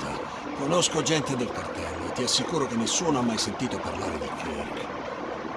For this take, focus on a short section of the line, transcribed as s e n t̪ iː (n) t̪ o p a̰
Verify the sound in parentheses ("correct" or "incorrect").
incorrect